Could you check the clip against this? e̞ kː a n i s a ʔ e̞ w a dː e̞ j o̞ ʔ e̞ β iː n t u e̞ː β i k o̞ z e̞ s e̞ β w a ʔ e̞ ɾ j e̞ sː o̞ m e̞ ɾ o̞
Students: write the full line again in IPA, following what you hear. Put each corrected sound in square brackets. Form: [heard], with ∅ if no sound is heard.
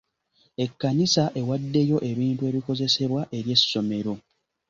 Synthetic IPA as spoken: e̞ kː a n i s a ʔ e̞ w a dː e̞ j o̞ ʔ e̞ β iː n t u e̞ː β i k o̞ z e̞ s e̞ β w a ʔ e̞ ɾ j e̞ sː o̞ m e̞ ɾ o̞